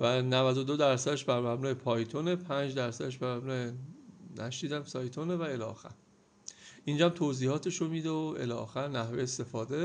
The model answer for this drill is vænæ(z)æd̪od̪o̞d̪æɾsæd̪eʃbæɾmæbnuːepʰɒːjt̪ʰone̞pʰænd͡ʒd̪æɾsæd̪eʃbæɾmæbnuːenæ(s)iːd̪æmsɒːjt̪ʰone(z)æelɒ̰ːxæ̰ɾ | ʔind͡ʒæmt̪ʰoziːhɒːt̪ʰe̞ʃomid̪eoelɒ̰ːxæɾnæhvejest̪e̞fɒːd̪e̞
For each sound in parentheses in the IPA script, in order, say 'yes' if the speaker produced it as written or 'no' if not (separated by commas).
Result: no, no, no